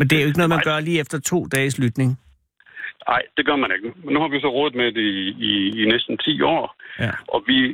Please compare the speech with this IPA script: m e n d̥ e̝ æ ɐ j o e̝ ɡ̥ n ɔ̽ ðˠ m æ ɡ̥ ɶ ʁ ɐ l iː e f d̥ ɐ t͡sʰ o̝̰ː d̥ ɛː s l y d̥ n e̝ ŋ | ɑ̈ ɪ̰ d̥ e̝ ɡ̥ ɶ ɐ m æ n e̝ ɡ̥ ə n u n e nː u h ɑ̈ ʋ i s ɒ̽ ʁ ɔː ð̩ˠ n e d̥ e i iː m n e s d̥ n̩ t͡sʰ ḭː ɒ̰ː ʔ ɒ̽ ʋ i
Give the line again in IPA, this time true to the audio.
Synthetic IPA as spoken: m e n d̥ e̝ æ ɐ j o e̝ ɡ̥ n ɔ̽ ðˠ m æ ɡ̥ ɶ ɐ l iː e f d̥ ɐ t͡sʰ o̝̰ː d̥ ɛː s l y d̥ n e̝ ŋ | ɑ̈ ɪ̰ d̥ e̝ ɡ̥ ɶ ɐ m æ n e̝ ɡ̥ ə n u m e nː u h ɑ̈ ʋ i s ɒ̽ ʁ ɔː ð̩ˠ m e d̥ e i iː n e s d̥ n̩ t͡sʰ ḭː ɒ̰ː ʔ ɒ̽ ʋ i